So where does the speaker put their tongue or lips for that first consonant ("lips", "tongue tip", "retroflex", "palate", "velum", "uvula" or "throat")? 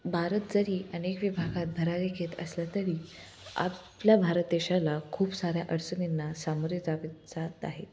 lips